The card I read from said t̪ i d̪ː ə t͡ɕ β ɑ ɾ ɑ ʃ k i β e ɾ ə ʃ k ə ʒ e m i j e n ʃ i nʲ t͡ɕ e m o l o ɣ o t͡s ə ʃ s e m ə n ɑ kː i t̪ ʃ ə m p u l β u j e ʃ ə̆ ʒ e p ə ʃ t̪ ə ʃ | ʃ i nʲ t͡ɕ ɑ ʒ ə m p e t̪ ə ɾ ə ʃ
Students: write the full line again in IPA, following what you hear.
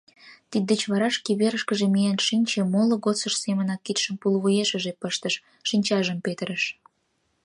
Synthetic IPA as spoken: t̪ i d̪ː ə t͡ɕ β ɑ ɾ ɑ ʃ k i β e ɾ ə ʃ k ə ʒ e m i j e n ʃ i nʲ t͡ɕ e m o l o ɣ o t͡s ə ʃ s e m ə n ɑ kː i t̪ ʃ ə m p u l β u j e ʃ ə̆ ʒ e p ə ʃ t̪ ə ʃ | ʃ i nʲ t͡ɕ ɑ ʒ ə m p e t̪ ə ɾ ə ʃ